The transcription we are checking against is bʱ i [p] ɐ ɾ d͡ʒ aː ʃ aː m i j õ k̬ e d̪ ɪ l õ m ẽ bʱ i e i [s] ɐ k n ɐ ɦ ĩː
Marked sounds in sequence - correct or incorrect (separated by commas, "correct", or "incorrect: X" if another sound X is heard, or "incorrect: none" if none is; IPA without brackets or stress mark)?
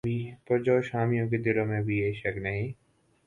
correct, incorrect: ʃ